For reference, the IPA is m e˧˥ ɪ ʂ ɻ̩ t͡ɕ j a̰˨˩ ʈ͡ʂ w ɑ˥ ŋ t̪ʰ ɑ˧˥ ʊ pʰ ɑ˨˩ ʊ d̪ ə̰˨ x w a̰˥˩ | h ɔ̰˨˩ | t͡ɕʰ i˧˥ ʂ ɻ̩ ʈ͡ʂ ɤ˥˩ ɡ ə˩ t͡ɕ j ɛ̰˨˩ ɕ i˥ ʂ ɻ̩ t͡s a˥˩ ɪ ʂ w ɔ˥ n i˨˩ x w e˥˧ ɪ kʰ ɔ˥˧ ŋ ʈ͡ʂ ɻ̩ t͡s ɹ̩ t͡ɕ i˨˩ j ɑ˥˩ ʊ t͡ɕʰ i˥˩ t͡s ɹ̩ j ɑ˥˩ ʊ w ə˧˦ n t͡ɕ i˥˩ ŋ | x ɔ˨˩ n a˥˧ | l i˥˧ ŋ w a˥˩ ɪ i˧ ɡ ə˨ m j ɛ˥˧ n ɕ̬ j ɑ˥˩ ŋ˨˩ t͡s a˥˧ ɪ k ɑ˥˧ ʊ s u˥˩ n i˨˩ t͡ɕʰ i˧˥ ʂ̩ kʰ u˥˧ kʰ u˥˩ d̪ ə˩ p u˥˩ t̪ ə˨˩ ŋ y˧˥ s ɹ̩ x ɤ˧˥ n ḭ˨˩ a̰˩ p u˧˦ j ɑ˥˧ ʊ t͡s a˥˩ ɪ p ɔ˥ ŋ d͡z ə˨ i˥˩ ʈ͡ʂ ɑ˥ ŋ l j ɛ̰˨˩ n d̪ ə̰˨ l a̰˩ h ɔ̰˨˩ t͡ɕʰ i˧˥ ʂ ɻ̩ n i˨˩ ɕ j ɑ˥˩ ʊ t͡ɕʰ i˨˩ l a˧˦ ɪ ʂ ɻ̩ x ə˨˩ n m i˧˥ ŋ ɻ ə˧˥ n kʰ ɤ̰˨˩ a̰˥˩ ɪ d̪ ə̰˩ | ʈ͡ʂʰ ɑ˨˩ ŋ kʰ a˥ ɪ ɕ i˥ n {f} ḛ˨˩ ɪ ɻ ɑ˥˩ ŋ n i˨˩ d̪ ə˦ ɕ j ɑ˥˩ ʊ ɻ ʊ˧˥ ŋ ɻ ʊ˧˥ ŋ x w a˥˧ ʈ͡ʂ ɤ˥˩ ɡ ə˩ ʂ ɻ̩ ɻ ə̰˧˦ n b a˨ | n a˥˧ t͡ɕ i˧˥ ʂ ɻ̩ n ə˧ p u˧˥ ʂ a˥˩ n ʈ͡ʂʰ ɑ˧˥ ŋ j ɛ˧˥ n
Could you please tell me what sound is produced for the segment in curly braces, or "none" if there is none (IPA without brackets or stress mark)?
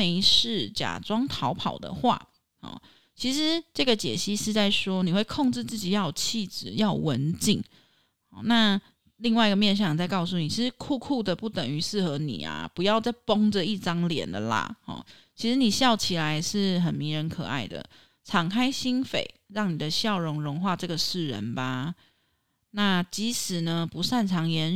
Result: f